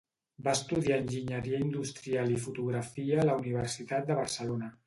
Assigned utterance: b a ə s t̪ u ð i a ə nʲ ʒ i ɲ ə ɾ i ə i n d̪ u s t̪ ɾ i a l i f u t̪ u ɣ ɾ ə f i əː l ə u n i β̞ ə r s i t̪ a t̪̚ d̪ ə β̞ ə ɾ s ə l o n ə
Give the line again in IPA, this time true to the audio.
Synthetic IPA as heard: b a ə s t̪ u ð i a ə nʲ ʒ i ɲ ə ɾ i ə i n d̪ u s t̪ ɾ i a l i f u t̪ u ɣ ɾ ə f i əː l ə u n i β̞ ə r s i t̪ a t̪̚ d̪ ə β̞ ə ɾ s ə l o n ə

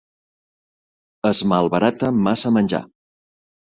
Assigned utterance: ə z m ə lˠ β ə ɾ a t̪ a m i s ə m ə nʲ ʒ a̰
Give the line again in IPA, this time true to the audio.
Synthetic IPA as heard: ə z m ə lˠ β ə ɾ a t̪ ə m a s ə m ə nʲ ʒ a̰

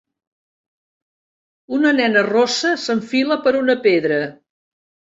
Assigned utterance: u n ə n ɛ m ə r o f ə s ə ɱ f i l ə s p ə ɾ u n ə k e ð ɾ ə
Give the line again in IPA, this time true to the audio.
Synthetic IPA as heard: u n ə n ɛ n ə r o s ə s ə ɱ f i l ə p ə ɾ u n ə p e ð ɾ ə

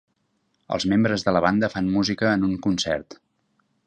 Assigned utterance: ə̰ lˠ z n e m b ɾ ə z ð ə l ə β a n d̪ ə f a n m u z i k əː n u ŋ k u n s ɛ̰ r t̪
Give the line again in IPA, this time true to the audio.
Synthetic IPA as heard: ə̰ lˠ z m e m b ɾ ə z ð ə l ə β a n d̪ ə f a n m u z i k əː n u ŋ k u n s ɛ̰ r t̪

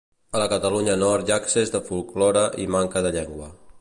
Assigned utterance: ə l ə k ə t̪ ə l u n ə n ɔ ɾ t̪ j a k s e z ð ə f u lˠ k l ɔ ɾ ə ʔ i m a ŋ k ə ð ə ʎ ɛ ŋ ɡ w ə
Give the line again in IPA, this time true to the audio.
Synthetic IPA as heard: ə l ə k ə t̪ ə l u ɲ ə n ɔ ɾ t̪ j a k s e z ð ə f u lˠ k l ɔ ɾ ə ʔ i m a ŋ k ə ð ə ʎ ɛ ŋ ɡ w ə

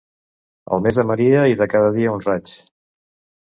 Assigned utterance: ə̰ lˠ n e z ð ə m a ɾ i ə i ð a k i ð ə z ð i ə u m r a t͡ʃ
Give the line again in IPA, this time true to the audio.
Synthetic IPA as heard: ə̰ lˠ m e z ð ə m ə ɾ i ə i ð ə k a ð ə ð i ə u n r a t͡ʃ

